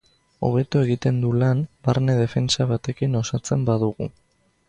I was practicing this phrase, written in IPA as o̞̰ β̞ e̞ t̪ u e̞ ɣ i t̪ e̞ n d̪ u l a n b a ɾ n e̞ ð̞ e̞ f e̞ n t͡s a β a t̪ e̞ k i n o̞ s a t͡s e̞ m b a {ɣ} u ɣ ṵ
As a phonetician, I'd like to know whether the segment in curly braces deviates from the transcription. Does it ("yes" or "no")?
yes